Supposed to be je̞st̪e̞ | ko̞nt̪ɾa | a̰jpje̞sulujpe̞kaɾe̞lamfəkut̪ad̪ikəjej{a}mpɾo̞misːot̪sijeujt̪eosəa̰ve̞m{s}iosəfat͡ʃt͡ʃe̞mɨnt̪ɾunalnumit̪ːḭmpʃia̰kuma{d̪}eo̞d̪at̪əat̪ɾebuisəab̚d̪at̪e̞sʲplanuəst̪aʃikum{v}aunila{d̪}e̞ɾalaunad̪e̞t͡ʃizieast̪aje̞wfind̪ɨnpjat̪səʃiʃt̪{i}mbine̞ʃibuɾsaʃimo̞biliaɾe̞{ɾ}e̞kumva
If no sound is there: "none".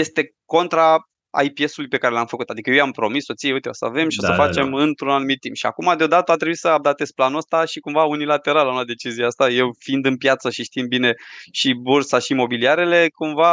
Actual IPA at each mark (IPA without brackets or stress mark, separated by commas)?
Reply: a, ʃ, d̪, v, t̪, i, l